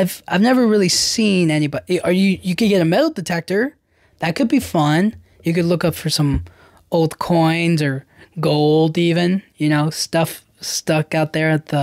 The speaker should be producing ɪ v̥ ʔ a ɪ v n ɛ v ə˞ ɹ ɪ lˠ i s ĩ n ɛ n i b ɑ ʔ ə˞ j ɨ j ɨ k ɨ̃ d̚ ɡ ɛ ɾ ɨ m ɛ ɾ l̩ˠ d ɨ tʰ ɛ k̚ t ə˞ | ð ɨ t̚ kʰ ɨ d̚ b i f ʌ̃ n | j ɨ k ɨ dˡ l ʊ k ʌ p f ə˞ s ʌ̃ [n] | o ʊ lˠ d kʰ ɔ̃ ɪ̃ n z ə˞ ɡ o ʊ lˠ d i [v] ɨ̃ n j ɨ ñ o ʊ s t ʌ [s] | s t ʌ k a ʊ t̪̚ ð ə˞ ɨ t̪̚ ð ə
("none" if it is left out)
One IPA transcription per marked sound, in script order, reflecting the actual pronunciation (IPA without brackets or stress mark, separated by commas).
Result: m, v, f